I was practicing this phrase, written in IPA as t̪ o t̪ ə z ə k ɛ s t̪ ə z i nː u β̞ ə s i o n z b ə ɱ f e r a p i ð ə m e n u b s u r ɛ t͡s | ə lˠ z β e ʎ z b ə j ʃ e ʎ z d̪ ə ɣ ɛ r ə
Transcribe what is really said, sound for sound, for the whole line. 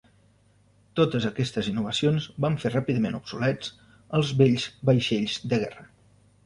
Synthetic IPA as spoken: t̪ o t̪ ə z ə k ɛ s t̪ ə z i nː u β̞ ə s i o n z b a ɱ f e r a p i ð ə m e n u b s u l ɛ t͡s | ə lˠ z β e ʎ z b ə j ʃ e ʎ z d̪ ə ɣ ɛ r ə